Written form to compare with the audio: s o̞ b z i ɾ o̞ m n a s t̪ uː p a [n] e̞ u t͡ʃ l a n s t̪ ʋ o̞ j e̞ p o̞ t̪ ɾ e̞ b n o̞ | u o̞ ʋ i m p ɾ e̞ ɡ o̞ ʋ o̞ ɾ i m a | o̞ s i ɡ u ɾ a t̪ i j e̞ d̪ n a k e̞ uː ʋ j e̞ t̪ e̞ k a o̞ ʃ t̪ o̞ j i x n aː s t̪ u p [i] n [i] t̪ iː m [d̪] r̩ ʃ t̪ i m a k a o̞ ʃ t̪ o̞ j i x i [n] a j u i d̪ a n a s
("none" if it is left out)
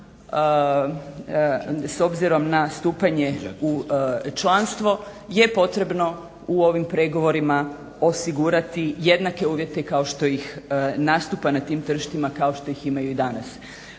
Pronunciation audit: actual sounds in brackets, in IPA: ɲ, a, a, t̪, m

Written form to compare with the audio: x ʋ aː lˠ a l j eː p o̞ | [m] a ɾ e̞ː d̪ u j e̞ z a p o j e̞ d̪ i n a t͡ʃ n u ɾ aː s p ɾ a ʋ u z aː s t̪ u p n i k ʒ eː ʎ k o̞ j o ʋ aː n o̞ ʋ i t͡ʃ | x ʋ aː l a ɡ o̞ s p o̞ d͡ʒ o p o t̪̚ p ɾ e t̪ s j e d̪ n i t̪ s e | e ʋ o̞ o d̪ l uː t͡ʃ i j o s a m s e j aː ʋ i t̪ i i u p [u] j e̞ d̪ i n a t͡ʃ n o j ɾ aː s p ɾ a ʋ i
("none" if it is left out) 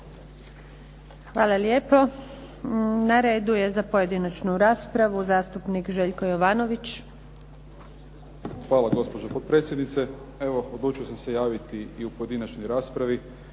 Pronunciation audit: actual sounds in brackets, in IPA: n, o

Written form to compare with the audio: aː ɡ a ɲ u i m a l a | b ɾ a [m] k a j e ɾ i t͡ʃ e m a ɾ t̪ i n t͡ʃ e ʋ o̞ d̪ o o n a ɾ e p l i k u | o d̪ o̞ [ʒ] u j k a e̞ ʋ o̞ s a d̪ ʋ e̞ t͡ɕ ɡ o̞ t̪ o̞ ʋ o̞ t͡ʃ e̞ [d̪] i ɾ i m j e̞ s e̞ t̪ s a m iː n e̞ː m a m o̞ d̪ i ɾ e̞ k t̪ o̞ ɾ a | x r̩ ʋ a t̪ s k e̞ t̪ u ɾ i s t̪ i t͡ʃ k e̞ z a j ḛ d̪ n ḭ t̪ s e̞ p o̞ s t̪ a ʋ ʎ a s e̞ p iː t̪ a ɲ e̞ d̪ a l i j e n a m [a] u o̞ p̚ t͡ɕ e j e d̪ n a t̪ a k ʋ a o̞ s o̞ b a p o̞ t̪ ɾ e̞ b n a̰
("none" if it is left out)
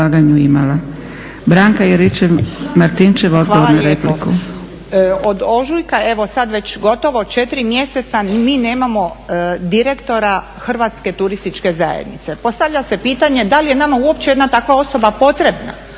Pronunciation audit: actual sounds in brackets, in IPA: ŋ, ʒ, t̪, a

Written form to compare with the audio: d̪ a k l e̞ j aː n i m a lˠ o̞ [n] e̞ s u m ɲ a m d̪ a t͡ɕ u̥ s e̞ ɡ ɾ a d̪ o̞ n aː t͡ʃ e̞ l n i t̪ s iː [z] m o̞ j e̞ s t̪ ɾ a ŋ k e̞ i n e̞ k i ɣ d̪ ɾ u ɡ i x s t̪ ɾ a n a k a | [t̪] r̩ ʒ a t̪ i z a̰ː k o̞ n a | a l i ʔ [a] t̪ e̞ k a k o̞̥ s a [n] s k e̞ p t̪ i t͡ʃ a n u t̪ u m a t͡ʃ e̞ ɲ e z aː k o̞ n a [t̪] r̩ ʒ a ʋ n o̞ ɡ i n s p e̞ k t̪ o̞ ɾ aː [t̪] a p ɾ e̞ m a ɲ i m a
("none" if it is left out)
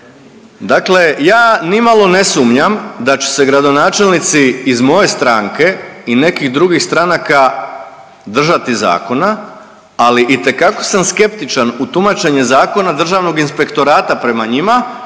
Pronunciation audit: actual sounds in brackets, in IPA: n, z, d̪, i, m, d̪, t̪

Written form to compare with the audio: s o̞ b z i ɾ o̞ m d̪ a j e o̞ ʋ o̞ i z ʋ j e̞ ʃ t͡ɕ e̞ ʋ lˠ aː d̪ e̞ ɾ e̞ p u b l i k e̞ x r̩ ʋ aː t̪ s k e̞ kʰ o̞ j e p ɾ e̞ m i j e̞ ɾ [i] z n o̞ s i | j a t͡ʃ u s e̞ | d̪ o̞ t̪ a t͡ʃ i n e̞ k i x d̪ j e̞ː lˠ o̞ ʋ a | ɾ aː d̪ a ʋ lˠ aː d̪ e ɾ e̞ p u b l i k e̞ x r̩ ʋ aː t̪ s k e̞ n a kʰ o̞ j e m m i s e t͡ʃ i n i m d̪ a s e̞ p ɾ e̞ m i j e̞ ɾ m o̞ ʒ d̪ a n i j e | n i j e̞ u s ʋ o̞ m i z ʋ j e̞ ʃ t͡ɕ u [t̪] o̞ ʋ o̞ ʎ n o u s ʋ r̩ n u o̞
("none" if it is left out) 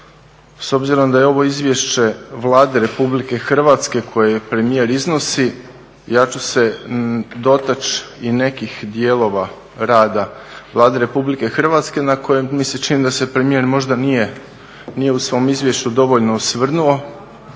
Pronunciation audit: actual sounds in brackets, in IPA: i, d̪

